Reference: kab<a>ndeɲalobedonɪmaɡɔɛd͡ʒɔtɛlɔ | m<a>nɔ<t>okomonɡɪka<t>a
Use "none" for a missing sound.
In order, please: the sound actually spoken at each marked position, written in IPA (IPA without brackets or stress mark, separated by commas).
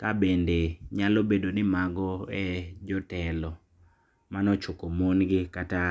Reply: e, a, t͡ʃ, t